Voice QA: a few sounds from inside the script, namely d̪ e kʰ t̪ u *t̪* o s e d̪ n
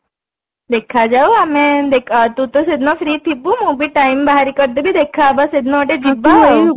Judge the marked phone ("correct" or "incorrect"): correct